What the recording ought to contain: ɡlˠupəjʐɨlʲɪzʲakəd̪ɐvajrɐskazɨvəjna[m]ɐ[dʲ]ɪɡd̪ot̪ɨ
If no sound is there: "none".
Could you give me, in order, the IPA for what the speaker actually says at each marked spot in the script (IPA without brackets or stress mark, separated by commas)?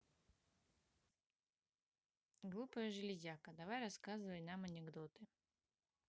m, nʲ